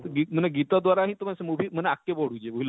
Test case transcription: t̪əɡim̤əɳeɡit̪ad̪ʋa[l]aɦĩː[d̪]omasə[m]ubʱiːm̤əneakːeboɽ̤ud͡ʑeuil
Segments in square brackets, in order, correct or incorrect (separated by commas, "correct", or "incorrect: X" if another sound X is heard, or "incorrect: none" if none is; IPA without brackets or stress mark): incorrect: ɾ, incorrect: t̪, correct